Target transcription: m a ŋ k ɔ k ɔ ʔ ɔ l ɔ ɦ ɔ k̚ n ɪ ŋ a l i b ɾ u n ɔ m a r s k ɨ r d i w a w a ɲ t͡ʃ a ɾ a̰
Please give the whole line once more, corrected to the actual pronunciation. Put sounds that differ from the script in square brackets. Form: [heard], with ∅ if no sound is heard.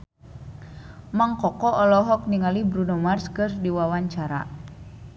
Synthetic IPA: m a ŋ k ɔ k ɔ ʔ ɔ l ɔ ɦ ɔ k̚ n [i] ŋ a l i b ɾ u n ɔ m a r s k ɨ r d i w a w a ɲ t͡ʃ a ɾ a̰